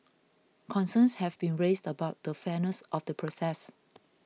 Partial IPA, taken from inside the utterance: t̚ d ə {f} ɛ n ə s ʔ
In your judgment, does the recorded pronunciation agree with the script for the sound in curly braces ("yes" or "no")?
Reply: yes